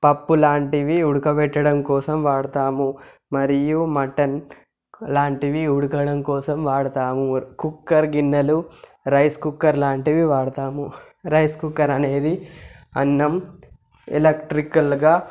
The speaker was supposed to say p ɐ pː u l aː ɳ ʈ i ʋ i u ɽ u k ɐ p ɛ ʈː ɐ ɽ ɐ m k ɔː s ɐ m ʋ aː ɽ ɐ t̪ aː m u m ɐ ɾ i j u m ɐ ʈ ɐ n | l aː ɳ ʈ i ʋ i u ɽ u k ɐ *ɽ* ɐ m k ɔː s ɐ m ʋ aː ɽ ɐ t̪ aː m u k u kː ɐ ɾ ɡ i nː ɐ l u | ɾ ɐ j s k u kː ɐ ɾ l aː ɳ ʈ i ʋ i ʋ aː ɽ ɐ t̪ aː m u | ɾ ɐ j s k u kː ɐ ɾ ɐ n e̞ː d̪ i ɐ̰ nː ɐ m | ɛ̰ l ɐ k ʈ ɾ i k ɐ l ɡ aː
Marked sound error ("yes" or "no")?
no